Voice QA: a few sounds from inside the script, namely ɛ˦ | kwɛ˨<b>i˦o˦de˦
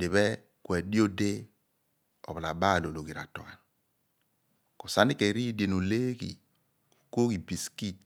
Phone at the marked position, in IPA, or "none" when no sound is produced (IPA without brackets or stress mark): d